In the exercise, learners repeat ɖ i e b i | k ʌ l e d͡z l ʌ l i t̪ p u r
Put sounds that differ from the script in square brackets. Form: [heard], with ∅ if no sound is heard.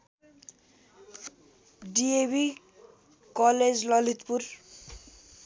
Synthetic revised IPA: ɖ i e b i | k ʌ l e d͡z l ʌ l i t̪ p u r